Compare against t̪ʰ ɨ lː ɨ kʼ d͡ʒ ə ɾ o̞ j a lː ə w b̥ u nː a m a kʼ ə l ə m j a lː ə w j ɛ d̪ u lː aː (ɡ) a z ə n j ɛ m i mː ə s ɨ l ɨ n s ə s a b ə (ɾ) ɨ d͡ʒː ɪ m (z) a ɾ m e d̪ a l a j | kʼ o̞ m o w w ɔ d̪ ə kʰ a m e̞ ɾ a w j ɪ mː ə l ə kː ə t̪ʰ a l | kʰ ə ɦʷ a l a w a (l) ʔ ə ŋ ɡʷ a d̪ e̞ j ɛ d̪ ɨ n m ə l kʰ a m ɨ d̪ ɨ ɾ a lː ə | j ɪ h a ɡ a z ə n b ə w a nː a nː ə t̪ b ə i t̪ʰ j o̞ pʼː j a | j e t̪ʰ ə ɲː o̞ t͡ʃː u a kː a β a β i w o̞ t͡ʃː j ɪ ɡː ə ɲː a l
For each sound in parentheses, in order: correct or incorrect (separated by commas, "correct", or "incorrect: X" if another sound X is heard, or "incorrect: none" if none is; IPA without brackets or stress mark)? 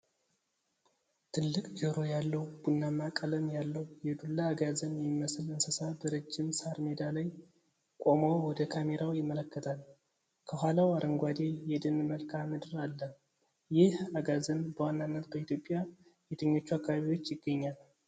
correct, correct, incorrect: s, incorrect: ɾ